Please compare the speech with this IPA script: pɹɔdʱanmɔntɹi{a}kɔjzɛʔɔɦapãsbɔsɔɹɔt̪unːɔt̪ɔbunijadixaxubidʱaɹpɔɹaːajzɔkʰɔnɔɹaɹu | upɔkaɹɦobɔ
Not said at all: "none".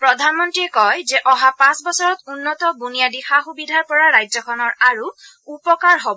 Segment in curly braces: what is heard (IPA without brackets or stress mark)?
ɛ